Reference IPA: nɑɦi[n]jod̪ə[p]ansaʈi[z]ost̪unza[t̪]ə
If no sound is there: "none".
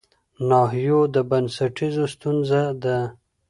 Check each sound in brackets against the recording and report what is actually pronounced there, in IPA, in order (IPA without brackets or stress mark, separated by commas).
none, b, z, d̪